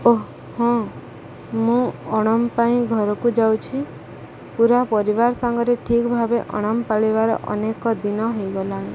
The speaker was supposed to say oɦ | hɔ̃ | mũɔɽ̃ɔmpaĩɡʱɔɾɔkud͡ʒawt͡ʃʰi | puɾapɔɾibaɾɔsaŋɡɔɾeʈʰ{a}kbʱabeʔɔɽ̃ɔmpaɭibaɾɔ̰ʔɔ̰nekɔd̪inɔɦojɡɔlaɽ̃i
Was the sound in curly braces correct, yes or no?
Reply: no